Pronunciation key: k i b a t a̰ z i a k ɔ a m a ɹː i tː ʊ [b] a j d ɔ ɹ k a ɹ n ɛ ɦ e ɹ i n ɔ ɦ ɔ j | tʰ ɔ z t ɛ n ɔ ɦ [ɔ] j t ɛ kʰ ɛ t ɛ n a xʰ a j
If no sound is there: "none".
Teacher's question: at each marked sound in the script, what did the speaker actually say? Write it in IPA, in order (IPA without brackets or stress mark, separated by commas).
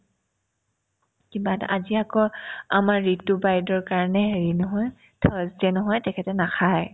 b, ɔ